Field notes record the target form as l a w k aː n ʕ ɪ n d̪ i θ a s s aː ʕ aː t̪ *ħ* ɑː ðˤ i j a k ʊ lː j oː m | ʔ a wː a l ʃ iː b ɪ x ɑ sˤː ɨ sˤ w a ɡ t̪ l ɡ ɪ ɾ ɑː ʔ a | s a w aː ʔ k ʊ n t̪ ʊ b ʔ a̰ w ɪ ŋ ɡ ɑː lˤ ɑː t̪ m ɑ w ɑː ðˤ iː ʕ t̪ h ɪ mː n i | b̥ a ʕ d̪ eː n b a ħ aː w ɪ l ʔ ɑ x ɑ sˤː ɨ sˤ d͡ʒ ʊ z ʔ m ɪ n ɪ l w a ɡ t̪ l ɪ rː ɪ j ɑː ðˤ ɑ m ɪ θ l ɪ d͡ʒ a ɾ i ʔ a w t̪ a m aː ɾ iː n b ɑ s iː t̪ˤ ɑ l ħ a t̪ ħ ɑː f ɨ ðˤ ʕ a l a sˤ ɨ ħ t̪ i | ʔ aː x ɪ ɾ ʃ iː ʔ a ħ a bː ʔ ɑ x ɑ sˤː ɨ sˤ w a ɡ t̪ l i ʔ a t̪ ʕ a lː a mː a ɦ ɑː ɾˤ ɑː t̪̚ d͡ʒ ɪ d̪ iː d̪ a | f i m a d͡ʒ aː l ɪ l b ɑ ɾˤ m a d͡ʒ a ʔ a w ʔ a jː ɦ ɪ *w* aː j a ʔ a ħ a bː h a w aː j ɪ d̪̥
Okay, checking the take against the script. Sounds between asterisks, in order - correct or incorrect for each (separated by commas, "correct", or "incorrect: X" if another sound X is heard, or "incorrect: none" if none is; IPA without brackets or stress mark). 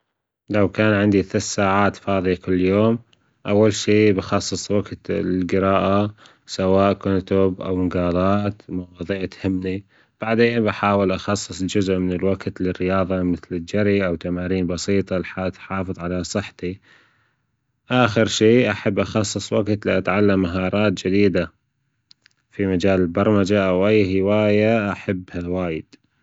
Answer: incorrect: f, correct